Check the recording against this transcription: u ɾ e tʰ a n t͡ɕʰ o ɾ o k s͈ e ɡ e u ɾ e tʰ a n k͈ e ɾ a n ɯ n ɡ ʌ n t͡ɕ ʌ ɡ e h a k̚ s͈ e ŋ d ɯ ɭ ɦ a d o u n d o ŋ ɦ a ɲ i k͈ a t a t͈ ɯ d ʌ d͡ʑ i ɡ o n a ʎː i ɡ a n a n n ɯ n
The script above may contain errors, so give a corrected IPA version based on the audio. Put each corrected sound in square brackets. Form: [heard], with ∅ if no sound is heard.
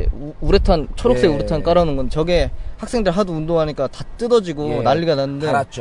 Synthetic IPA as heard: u ɾ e tʰ a n t͡ɕʰ o ɾ o k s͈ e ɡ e u ɾ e tʰ a n k͈ [a] ɾ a n ɯ n ɡ ʌ n t͡ɕ ʌ ɡ e h a k̚ s͈ e ŋ d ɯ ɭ ɦ a d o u n d o ŋ ɦ a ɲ i k͈ a t a t͈ ɯ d ʌ d͡ʑ i ɡ o n a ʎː i ɡ a n a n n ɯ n